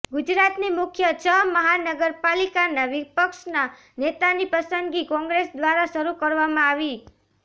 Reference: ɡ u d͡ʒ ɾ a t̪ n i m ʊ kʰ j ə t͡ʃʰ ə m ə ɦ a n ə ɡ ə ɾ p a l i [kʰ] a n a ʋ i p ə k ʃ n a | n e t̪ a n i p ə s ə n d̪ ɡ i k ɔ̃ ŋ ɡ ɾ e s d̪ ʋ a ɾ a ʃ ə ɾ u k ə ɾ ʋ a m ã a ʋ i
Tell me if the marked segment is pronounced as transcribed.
no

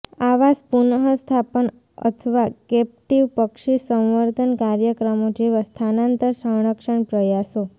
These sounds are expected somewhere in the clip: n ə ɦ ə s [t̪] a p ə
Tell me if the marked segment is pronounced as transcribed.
no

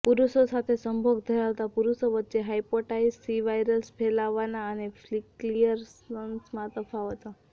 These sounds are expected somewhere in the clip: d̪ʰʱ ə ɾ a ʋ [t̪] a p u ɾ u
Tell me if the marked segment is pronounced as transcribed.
yes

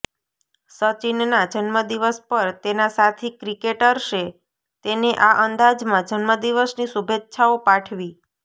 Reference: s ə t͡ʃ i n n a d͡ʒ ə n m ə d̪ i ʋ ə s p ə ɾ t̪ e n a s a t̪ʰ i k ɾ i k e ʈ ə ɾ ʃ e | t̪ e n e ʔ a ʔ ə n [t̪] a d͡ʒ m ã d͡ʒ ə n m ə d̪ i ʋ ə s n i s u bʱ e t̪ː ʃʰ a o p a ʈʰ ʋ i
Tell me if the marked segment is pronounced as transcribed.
no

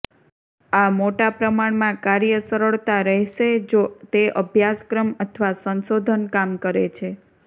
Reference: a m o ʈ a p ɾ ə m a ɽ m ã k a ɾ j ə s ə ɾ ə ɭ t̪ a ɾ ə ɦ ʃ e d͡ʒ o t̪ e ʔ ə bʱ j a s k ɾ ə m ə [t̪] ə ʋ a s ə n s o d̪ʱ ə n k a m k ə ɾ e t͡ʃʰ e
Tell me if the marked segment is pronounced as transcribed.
no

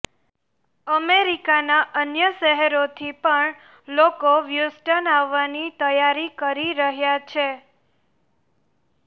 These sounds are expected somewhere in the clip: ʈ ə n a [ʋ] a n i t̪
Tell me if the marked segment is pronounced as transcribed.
no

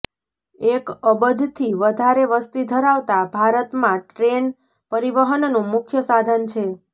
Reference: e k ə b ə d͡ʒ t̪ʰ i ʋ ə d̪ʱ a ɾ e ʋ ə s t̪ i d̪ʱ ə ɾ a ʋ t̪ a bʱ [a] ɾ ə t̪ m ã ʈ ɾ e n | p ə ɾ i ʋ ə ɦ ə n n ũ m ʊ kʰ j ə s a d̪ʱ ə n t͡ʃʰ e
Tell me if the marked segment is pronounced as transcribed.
yes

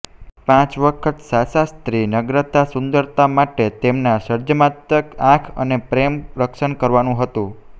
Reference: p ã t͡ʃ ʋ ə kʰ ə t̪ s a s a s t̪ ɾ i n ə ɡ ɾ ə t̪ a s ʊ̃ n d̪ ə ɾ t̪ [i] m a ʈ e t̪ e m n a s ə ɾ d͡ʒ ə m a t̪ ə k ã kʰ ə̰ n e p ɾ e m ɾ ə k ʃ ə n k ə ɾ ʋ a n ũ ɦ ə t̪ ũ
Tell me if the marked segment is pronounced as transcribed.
no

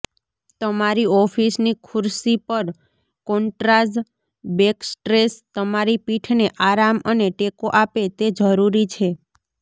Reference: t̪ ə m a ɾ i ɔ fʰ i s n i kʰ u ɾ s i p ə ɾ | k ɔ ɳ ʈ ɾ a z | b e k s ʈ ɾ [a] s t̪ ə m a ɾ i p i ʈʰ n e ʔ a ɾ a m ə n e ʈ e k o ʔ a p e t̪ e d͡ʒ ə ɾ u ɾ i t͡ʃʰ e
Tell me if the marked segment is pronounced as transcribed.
no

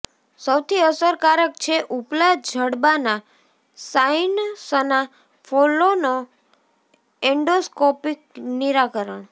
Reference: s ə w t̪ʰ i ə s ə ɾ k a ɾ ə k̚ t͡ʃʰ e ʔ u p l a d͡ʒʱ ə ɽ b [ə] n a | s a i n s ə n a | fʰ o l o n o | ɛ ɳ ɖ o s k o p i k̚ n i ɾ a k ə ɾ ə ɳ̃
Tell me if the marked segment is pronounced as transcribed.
no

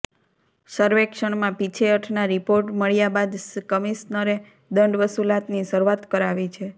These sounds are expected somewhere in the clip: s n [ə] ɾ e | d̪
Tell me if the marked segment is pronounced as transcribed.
yes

